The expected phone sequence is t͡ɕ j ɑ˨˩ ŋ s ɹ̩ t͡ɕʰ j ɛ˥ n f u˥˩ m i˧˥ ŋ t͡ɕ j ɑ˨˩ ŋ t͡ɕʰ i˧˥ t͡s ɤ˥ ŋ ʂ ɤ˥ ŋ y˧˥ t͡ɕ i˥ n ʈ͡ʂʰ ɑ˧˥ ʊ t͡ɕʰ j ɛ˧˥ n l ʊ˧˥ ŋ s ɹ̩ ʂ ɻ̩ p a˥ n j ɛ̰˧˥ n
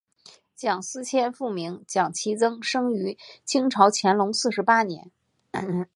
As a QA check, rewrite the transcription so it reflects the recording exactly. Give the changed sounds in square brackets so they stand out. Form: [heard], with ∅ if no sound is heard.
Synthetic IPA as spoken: t͡ɕ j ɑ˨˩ ŋ s ɹ̩ t͡ɕʰ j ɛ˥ n f u˥˩ m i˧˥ ŋ t͡ɕ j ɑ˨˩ ŋ t͡ɕʰ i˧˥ t͡s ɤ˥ ŋ ʂ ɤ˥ ŋ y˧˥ [t͡ɕʰ] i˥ [ŋ] ʈ͡ʂʰ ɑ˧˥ ʊ t͡ɕʰ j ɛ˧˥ n l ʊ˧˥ ŋ s ɹ̩ ʂ ɻ̩ p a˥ n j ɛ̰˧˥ n